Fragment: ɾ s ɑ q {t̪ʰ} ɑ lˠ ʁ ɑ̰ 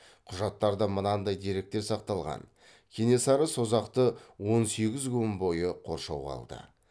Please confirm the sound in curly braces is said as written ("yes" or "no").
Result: no